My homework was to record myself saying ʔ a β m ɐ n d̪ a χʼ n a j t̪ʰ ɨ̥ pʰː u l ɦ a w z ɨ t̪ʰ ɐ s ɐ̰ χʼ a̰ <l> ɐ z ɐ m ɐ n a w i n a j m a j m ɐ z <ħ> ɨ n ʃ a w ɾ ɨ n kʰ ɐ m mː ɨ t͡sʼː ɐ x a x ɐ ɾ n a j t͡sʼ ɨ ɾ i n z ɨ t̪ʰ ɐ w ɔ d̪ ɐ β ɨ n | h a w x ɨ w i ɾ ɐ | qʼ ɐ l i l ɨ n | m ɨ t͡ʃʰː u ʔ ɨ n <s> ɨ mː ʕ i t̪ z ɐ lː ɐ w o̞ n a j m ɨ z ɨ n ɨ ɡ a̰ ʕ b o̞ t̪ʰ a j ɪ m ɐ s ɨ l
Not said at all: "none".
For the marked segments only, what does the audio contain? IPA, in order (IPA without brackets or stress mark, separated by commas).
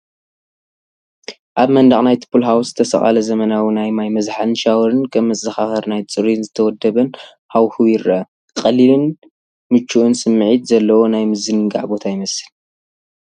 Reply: l, ħ, s